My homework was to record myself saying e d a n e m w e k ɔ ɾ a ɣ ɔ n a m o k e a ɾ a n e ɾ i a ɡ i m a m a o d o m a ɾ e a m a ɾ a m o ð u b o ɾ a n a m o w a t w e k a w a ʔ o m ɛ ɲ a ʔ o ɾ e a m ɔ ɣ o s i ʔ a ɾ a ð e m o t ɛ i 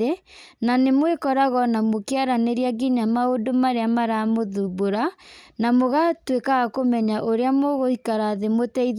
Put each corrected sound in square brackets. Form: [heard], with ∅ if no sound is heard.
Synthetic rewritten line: e [n] a n e m w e k ɔ ɾ a ɣ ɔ n a m o k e a ɾ a n e ɾ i a ɡ i [ɲ] a m a o d o m a ɾ e a m a ɾ a m o ð u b o ɾ a n a m o [ɣ] a t w e k a [ɣ] a [k] o m ɛ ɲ a ʔ o ɾ e a m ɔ ɣ o [h] i [k] a ɾ a ð e m o t ɛ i